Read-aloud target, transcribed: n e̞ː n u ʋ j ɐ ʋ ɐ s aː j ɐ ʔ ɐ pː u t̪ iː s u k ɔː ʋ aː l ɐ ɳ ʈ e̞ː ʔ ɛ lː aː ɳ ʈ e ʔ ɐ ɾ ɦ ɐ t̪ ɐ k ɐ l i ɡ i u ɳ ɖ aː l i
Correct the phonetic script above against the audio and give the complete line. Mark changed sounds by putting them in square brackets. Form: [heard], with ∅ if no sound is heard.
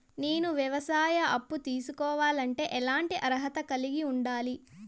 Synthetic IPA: n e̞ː n u ʋ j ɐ ʋ ɐ s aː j ɐ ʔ ɐ pː u t̪ iː s u k ɔː ʋ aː l ɐ ɳ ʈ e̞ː ʔ ɛ [l] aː ɳ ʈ [i] ʔ ɐ ɾ ɦ ɐ t̪ ɐ k ɐ l i ɡ i u ɳ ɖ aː l i